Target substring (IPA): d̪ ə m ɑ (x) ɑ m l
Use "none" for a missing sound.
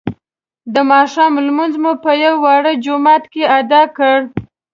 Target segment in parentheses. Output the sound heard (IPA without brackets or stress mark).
ʃ